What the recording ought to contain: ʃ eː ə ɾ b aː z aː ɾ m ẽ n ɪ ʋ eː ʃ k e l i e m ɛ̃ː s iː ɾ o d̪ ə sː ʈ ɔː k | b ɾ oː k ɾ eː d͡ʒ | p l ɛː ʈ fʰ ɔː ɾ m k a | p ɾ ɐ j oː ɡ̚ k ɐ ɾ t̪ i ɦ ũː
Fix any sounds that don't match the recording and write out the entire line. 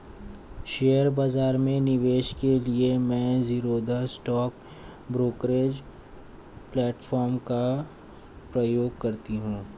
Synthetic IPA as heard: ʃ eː ə ɾ b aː z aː ɾ m ẽ n ɪ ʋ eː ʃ k e l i e m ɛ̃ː z iː ɾ o d̪ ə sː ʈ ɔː k | b ɾ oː k ɾ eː d͡ʒ | p l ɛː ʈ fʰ ɔː ɾ m k a | p ɾ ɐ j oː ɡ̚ k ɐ ɾ t̪ i ɦ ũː